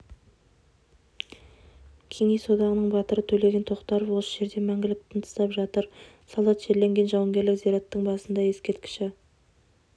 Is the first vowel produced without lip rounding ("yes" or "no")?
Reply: yes